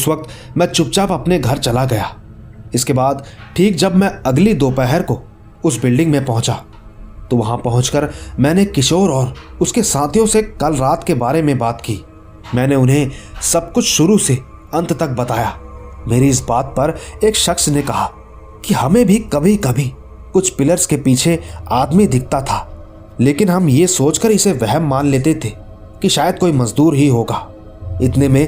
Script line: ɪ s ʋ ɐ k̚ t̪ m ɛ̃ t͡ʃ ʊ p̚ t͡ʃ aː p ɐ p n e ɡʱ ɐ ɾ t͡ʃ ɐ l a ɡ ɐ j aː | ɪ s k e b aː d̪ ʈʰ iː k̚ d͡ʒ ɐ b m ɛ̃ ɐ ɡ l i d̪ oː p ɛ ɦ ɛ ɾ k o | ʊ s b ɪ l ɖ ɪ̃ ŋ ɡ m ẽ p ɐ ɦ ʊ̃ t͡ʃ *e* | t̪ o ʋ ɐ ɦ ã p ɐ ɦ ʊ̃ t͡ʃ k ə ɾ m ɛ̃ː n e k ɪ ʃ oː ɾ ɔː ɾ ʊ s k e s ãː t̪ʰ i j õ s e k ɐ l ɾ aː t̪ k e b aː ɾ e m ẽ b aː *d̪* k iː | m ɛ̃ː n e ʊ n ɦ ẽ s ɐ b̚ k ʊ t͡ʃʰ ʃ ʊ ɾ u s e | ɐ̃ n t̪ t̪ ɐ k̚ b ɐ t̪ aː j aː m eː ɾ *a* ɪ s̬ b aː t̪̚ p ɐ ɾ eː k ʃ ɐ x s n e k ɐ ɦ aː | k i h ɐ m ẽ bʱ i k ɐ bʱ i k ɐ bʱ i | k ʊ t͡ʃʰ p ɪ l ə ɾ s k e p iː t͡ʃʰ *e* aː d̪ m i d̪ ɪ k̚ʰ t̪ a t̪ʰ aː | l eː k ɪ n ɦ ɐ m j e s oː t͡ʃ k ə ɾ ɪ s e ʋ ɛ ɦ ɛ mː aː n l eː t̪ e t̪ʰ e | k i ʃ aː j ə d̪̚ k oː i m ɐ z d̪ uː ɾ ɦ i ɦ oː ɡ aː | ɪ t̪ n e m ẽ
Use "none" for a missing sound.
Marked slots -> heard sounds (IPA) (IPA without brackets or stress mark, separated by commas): a, t̪, i, e